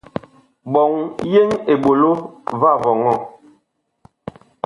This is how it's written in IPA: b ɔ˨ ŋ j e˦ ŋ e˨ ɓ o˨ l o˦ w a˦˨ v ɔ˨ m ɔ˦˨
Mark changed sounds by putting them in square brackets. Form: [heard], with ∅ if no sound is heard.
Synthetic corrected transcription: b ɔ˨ ŋ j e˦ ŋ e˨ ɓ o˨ l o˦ [v] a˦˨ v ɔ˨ [ŋ] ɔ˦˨